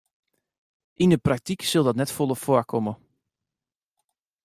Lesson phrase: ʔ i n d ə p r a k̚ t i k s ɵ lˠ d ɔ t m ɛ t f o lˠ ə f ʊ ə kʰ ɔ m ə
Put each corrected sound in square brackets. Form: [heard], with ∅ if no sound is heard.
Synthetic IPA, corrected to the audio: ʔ i n d ə p r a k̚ t i k s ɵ lˠ d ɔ t [n] ɛ t f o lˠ ə f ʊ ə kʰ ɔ m ə

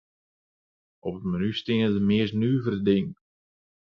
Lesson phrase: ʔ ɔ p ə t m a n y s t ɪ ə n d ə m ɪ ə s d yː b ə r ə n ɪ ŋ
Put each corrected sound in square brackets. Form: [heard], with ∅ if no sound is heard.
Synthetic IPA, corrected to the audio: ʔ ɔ p ə t m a n y s t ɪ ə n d ə m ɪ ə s [n] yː [v] ə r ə [d] ɪ ŋ

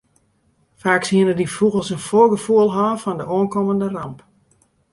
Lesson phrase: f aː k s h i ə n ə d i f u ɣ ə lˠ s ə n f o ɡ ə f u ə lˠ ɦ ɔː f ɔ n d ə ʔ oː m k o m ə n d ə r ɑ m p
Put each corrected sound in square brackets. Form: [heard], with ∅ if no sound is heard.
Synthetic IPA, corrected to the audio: f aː k s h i ə n ə d i f u ɣ ə lˠ s ə n f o ɡ ə f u ə lˠ ɦ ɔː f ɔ n d ə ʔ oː [n] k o m ə n d ə r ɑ m p

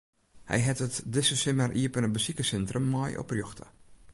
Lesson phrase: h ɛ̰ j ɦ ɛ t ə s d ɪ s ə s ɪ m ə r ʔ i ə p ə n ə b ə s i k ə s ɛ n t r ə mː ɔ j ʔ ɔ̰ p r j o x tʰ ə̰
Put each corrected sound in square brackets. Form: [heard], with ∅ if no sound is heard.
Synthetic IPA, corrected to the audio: h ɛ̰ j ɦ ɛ t ə [t] d ɪ s ə s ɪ m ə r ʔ i ə p ə n ə b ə s i k ə s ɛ n t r ə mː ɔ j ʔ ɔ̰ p r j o x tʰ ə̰

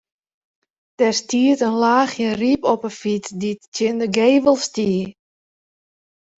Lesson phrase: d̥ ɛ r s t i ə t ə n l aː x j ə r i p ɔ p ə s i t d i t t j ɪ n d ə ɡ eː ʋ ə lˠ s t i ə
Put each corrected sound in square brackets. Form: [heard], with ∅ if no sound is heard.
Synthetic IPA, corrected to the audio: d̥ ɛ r s t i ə t ə n l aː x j ə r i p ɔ p ə [f] i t d i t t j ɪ n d ə ɡ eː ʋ ə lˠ s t i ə

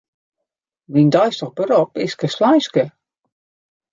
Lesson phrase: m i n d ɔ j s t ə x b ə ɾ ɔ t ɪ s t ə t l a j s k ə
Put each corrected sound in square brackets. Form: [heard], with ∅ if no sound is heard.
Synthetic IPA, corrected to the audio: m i n d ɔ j s t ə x b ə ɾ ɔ [p] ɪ s [k] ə [s] l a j s k ə

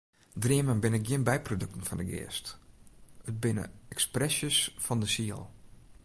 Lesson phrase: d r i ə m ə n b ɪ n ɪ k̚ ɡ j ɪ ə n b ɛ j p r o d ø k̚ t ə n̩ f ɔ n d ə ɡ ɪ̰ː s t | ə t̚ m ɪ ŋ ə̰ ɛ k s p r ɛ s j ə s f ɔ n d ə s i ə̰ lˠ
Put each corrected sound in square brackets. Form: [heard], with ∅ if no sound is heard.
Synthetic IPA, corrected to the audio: d r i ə m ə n b ɪ n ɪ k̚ ɡ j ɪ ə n b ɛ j p r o d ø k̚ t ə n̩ f ɔ n d ə ɡ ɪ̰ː s t | ə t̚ [b] ɪ [n] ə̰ ɛ k s p r ɛ s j ə s f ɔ n d ə s i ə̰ lˠ

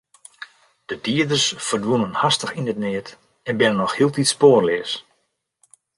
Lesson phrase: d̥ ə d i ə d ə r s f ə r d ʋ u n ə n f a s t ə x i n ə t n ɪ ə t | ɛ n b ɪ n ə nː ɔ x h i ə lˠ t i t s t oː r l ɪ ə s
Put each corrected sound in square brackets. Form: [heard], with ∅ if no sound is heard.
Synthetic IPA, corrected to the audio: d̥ ə d i ə d ə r s f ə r d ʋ u n ə n [h] a s t ə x i n ə t n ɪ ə t | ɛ n b ɪ n ə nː ɔ x h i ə lˠ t i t s [p] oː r l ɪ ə s

